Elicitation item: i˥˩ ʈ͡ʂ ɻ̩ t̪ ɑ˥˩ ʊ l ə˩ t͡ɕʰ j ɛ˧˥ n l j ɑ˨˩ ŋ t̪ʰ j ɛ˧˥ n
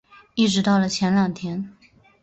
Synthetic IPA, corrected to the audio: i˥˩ ʈ͡ʂ ɻ̩ t̪ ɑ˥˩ ʊ l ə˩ t͡ɕʰ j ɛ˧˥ n l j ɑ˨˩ ŋ t̪ʰ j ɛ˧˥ n